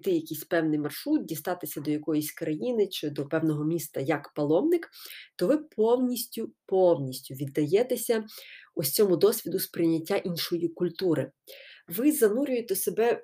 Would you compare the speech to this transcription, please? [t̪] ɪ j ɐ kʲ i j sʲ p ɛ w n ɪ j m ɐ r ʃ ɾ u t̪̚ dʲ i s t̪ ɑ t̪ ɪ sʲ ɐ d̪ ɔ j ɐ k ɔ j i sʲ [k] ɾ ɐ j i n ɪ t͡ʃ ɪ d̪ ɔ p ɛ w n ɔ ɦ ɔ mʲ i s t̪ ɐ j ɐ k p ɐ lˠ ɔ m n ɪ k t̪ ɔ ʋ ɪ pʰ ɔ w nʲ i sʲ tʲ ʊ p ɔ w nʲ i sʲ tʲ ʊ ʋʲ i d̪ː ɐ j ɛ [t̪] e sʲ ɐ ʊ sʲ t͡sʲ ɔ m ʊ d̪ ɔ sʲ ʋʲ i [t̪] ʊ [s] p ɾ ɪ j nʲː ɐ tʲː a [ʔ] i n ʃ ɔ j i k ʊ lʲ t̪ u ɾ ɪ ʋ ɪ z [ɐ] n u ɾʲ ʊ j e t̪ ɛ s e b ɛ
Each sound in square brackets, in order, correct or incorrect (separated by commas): correct, correct, correct, incorrect, correct, correct, correct